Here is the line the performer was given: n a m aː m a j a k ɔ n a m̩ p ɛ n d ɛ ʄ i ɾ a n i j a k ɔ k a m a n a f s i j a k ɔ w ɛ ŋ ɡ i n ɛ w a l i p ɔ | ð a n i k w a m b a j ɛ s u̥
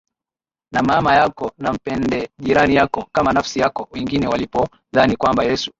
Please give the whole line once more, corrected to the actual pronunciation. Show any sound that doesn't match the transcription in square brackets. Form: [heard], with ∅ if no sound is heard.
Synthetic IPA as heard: n a m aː m a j a k ɔ n a m̩ p ɛ n d ɛ ʄ i ɾ a n i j a k ɔ k a m a n a f s i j a k ɔ w ɛ ŋ ɡ i n ɛ w a l i p ɔ | ð a n i k w a m b a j ɛ s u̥